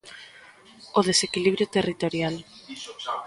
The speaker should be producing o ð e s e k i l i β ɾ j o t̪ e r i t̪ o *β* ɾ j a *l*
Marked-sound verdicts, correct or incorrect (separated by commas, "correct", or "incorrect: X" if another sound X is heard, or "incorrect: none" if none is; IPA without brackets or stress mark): incorrect: none, correct